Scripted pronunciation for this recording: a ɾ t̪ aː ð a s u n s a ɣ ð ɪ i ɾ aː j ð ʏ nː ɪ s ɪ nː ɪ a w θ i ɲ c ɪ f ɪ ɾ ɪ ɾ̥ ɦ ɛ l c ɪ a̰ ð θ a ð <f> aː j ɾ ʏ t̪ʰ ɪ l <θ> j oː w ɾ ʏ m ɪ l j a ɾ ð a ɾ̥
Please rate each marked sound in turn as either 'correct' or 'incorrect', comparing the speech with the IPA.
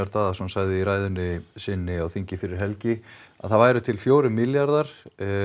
incorrect: v, incorrect: f

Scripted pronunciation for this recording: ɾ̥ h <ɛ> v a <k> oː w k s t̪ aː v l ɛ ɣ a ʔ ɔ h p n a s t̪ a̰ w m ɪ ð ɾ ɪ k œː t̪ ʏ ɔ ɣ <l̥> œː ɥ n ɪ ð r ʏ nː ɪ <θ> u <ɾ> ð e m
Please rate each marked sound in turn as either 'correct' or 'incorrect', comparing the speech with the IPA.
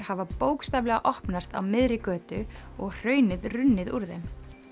incorrect: a, incorrect: p, incorrect: r̥, incorrect: ð, correct

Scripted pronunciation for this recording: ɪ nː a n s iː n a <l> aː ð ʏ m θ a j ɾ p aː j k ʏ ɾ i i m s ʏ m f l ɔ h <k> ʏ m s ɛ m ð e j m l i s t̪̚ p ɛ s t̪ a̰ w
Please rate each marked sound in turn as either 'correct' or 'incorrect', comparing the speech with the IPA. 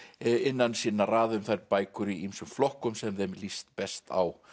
incorrect: r, correct

